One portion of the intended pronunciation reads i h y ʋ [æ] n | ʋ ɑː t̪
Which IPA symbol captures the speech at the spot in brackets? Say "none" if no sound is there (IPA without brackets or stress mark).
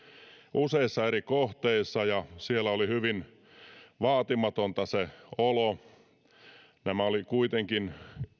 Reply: i